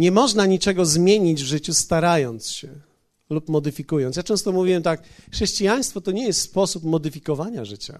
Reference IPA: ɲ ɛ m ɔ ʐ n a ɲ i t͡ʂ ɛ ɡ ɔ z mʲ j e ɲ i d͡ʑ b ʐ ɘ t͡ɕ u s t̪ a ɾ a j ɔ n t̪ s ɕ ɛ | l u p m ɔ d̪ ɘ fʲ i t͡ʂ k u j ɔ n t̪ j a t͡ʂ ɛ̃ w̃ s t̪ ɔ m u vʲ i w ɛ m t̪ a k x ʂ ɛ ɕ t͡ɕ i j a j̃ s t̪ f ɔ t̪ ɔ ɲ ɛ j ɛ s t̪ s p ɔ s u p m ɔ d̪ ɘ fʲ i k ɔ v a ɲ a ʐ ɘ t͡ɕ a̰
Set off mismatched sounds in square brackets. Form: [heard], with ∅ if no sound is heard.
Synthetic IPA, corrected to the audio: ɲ ɛ m ɔ ʐ n a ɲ i t͡ʂ ɛ ɡ ɔ z mʲ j e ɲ i d͡ʑ [v] ʐ ɘ t͡ɕ u s t̪ a ɾ a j ɔ n t̪ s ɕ ɛ | l u p m ɔ d̪ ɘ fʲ i [∅] k u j ɔ n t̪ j a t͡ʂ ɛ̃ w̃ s t̪ ɔ m u vʲ i w ɛ m t̪ a k x ʂ ɛ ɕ t͡ɕ i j a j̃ s t̪ f ɔ t̪ ɔ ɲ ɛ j ɛ s t̪ s p ɔ s u p m ɔ d̪ ɘ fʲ i k ɔ v a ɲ a ʐ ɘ t͡ɕ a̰